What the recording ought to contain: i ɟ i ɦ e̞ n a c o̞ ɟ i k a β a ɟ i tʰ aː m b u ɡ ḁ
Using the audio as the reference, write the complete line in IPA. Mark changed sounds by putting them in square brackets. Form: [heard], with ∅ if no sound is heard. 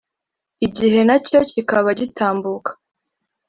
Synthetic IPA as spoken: i ɟ i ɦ e̞ n a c o̞ [c] i k a β a ɟ i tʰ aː m b u [k] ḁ